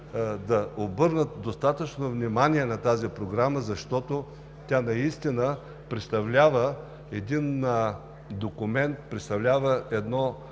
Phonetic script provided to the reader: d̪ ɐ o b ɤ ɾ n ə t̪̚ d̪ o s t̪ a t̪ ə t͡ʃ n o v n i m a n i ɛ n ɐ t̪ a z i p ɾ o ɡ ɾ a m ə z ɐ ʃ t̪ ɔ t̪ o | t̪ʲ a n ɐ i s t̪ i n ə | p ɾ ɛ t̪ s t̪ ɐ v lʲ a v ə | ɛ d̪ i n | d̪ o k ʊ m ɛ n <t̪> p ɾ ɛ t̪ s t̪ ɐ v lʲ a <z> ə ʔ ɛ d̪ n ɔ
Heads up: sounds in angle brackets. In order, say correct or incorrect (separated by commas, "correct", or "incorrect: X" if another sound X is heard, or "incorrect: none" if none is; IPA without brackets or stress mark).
correct, incorrect: v